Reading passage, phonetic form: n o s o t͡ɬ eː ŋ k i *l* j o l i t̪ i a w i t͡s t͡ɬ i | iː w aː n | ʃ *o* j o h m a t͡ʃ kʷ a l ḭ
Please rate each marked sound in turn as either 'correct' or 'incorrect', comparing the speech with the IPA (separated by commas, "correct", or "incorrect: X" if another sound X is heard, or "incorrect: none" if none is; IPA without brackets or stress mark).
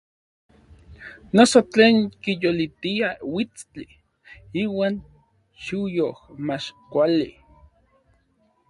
incorrect: none, incorrect: u